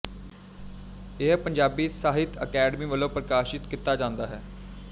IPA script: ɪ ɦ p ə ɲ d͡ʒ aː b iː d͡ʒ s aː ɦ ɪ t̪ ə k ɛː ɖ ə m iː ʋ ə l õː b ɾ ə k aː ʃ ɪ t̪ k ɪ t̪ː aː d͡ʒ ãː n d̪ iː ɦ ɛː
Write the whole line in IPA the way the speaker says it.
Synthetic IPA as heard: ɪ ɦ p ə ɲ d͡ʒ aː b iː s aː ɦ ɪ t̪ ə k ɛː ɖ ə m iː ʋ ə l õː p ɾ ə k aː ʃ ɪ t̪ k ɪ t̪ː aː d͡ʒ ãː n d̪ aː ɦ ɛː